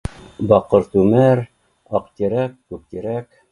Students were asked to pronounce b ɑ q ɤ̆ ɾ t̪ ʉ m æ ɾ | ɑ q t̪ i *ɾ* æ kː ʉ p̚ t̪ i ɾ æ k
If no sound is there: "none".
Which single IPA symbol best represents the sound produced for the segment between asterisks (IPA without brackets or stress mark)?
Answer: ɾ